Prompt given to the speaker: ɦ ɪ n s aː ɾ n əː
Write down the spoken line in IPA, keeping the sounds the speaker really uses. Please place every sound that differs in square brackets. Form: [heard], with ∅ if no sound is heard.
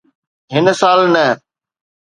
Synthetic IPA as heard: ɦ ɪ n s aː [l] n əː